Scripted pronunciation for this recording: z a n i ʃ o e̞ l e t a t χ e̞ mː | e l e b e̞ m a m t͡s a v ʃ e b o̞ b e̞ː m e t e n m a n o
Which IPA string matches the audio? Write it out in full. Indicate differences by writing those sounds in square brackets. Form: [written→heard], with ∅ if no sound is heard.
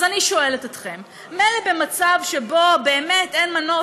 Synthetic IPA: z a n i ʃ o e̞ l e t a t χ e̞ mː | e l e b e̞ m a [m→∅] t͡s a v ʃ e b o̞ b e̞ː m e t e n m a n o